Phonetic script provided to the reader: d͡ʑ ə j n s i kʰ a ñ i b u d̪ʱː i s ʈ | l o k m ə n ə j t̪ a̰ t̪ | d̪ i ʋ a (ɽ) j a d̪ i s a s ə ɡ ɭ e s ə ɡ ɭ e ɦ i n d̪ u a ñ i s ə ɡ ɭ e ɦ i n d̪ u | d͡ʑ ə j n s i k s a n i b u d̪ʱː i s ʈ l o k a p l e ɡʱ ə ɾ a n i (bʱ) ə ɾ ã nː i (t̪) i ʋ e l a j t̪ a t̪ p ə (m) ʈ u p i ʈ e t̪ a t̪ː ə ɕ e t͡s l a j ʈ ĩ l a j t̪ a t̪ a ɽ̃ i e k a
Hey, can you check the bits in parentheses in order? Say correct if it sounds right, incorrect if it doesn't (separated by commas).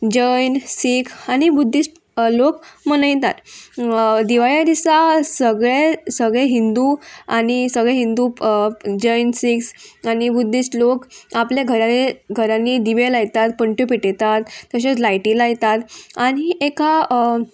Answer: incorrect, incorrect, incorrect, incorrect